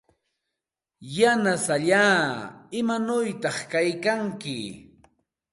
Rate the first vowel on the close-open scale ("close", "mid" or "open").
open